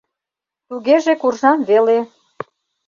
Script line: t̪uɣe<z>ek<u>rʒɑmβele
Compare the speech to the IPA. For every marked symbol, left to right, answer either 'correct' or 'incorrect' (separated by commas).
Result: incorrect, correct